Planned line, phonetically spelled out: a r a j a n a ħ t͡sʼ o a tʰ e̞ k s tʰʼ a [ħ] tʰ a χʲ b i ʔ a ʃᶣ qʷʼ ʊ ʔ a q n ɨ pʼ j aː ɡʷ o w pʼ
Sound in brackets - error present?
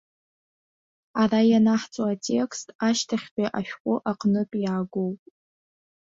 yes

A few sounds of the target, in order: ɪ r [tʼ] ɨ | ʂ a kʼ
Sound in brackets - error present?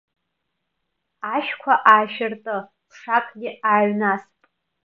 no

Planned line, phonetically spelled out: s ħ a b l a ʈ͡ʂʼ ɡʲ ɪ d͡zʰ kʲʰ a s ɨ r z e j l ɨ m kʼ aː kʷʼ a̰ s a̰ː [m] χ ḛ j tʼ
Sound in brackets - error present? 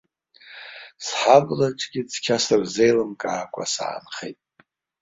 yes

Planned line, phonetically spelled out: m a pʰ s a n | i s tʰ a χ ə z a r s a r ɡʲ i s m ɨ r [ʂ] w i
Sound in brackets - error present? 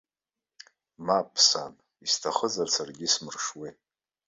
no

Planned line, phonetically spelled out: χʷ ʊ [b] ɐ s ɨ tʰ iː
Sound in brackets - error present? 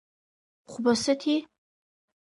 no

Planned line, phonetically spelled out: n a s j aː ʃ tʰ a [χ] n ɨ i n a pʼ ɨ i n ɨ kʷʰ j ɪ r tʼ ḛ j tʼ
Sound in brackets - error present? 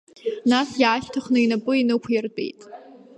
no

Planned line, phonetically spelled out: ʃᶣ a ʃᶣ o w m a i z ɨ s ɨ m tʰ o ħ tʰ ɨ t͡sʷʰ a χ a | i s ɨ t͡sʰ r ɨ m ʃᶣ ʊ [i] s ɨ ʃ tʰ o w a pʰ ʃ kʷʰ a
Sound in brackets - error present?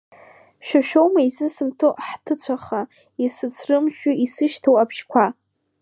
no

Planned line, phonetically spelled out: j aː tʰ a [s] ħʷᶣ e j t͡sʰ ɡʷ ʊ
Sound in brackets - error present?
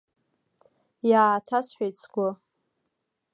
no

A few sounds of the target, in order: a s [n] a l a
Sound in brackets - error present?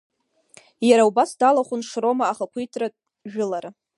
yes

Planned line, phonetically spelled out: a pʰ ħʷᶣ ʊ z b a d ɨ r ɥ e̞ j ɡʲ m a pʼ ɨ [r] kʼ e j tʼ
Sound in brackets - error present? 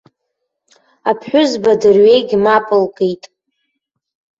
yes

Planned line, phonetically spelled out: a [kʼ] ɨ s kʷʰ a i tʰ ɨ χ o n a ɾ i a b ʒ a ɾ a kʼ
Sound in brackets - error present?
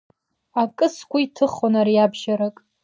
no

